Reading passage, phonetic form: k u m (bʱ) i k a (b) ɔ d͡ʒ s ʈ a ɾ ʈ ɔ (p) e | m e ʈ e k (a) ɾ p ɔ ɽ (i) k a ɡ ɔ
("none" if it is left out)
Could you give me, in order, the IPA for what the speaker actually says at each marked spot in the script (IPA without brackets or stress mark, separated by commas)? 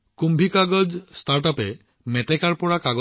bʱ, ɡ, p, a, a